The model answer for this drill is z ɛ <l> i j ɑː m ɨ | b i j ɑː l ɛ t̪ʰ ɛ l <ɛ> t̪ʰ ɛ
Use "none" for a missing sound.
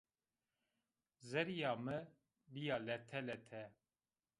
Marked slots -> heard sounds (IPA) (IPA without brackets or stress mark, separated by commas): ɾ, ɛ